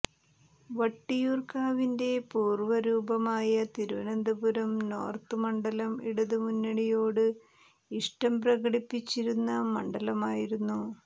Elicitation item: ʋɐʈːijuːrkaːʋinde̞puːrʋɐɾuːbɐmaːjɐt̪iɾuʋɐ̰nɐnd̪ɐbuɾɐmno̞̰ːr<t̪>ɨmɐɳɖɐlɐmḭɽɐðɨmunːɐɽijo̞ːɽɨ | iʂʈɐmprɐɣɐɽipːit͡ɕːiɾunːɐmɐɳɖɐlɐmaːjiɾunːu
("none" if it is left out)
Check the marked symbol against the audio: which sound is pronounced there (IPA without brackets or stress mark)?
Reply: t̪